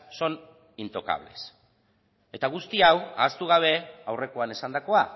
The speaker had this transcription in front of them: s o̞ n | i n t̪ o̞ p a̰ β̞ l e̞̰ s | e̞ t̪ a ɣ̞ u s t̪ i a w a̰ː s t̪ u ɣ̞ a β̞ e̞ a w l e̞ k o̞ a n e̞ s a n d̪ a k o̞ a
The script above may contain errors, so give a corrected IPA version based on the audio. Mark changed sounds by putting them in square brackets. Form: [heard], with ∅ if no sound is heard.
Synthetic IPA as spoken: s o̞ n | i n t̪ o̞ [k] a̰ β̞ l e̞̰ s | e̞ t̪ a ɣ̞ u s t̪ i a w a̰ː s t̪ u ɣ̞ a β̞ e̞ a w [r] e̞ k o̞ a n e̞ s a n d̪ a k o̞ a